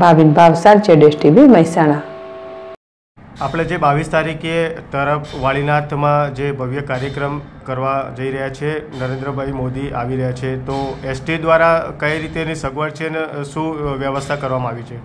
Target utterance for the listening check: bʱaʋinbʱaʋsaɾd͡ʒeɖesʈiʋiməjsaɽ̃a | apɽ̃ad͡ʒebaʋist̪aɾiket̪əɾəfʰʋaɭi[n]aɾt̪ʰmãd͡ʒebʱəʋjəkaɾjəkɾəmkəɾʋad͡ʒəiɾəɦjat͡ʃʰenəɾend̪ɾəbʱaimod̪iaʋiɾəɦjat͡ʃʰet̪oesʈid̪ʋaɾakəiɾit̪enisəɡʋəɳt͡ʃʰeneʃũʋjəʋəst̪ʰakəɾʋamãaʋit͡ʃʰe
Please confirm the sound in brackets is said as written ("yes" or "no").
yes